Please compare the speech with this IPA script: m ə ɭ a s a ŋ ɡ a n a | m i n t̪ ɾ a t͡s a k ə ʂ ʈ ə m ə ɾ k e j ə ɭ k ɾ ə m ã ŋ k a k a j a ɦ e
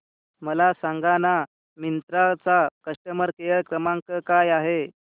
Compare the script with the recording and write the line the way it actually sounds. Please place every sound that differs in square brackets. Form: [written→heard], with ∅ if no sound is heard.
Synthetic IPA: m ə [ɭ→l] a s a ŋ ɡ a n a | m i n t̪ ɾ a t͡s a k ə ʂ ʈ ə m ə ɾ k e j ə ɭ k ɾ ə m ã ŋ k [a→ə] k a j a ɦ e